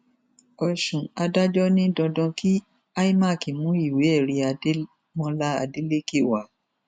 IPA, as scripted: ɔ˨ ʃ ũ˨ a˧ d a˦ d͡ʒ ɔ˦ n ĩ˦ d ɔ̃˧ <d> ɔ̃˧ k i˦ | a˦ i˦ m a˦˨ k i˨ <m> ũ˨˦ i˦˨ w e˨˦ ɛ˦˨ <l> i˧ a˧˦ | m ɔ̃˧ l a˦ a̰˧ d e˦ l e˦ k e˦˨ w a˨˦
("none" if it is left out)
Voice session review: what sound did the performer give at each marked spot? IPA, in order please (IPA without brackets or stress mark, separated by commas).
d, m, ɾ